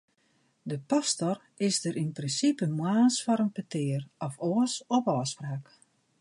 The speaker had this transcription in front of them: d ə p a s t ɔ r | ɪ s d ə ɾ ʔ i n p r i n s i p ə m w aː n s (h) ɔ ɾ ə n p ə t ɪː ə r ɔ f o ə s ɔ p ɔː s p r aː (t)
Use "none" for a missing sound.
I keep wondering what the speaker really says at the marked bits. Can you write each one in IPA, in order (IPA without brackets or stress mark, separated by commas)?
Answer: f, k